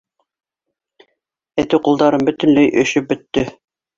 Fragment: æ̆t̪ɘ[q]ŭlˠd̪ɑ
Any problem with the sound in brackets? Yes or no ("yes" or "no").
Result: no